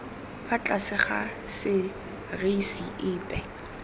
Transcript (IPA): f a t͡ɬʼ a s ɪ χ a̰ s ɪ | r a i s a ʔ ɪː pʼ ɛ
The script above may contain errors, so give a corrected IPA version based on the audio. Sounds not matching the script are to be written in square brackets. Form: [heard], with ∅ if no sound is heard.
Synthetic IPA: f a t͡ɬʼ a s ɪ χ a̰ s ɪ | r [e] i s [i] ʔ ɪː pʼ ɛ